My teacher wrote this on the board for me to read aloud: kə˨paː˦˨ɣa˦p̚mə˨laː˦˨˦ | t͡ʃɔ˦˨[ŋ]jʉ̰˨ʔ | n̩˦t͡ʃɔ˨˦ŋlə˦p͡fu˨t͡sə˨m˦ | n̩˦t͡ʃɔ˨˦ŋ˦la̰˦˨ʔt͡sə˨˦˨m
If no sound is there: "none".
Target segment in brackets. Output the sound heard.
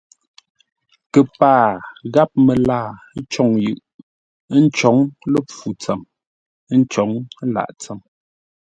ŋ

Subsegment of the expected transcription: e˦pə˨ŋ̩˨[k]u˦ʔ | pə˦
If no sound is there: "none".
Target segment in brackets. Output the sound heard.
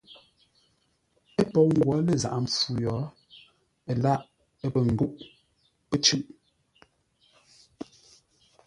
ɡ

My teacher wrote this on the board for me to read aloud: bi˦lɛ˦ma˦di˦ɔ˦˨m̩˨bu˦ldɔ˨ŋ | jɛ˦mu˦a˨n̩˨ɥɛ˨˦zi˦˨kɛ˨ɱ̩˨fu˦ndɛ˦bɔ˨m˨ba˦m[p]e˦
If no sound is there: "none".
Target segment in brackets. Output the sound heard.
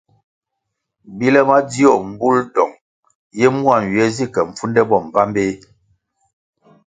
b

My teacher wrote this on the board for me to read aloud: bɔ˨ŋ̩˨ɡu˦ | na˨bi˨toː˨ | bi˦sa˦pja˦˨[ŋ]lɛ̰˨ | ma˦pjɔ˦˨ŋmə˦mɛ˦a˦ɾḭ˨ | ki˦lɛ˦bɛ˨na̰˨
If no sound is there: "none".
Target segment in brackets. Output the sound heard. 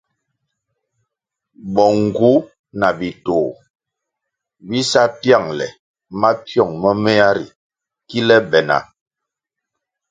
ŋ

